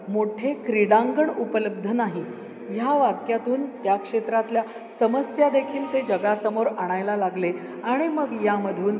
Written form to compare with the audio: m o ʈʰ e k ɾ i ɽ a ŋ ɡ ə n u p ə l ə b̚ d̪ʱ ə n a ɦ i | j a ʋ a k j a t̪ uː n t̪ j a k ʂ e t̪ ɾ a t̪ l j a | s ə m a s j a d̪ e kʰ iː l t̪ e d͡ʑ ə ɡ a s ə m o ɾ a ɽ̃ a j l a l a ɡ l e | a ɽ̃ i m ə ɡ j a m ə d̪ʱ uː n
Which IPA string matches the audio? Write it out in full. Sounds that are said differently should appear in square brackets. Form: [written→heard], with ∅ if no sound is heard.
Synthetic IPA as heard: m o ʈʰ e k ɾ i ɽ a ŋ ɡ ə [n→ɳ] u p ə l ə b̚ d̪ʱ ə n a ɦ i | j a ʋ a k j a t̪ uː n t̪ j a k ʂ e t̪ ɾ a t̪ l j a | s ə m [a→ə] s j a d̪ e kʰ iː l t̪ e d͡ʑ ə ɡ a s ə m o ɾ a ɽ̃ a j l a l a ɡ l e | a ɽ̃ i m ə ɡ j a m ə d̪ʱ uː n